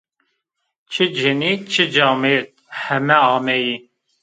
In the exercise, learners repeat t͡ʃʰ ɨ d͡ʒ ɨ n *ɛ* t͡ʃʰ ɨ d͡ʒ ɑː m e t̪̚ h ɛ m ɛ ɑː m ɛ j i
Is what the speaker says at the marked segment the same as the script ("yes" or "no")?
no